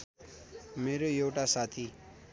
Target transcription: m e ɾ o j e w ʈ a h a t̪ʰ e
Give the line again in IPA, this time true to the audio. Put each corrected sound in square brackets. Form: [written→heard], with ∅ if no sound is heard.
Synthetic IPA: m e ɾ o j e w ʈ a [h→s] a t̪ʰ [e→i]